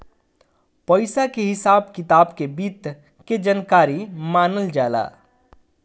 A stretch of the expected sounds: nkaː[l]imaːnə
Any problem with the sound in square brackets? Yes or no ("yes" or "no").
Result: yes